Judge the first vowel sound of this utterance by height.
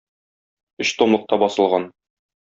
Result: mid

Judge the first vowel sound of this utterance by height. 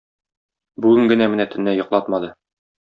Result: high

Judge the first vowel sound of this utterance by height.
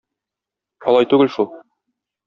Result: low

